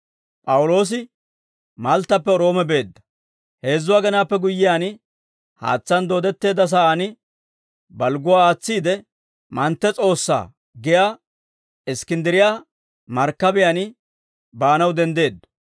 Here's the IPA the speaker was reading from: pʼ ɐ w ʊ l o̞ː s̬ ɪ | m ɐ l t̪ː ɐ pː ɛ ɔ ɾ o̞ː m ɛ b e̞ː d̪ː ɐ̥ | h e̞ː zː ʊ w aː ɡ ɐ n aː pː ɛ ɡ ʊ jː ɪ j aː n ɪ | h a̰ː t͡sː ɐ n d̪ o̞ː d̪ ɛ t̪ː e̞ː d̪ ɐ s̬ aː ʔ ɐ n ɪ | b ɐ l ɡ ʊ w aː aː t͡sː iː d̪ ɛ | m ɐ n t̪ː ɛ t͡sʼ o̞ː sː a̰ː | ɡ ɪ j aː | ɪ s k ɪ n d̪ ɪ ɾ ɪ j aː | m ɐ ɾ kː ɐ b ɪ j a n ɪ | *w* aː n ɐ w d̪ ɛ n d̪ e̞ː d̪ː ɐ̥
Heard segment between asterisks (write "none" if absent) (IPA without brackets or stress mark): b